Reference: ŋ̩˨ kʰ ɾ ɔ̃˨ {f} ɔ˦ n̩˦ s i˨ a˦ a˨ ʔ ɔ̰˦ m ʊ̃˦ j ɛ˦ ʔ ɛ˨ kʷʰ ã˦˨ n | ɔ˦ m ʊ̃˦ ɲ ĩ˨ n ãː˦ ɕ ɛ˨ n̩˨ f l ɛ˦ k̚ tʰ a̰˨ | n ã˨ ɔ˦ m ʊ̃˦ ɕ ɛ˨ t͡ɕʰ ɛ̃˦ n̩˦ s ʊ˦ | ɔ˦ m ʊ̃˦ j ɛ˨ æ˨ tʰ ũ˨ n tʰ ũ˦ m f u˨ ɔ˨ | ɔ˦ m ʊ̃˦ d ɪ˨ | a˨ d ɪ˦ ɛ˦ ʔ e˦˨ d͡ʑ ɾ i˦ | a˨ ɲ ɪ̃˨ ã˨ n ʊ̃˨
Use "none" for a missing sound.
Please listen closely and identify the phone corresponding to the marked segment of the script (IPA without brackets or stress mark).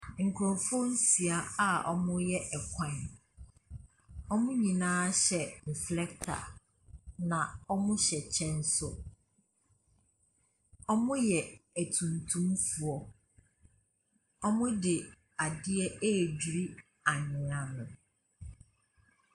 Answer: f